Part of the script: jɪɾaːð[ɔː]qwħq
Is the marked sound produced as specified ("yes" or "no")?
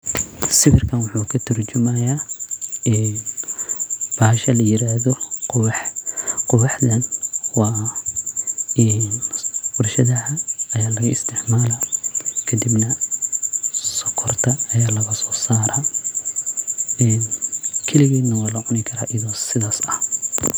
no